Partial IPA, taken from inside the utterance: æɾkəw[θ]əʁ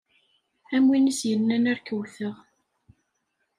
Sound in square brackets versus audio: correct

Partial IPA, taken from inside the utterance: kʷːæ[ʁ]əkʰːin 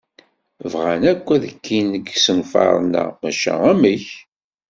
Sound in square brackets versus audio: incorrect: ð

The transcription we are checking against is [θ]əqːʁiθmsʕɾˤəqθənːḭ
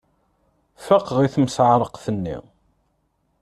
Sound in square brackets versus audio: incorrect: f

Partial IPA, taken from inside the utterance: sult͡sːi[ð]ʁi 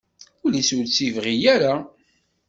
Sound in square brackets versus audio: incorrect: v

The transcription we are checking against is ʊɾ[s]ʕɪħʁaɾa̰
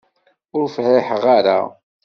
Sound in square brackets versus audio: incorrect: f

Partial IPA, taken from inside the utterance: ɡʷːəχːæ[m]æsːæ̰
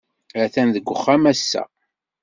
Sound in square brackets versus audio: correct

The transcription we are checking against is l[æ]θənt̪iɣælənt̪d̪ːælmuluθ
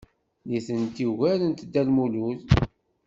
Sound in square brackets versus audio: incorrect: i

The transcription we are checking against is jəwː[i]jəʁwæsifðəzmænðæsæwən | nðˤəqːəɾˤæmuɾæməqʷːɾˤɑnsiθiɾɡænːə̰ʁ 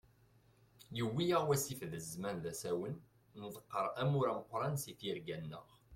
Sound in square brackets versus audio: correct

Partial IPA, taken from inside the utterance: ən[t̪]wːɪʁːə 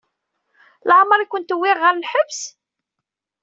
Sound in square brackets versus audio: correct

